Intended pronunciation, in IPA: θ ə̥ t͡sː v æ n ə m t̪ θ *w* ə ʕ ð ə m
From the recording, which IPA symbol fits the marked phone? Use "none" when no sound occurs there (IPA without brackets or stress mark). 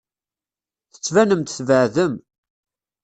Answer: v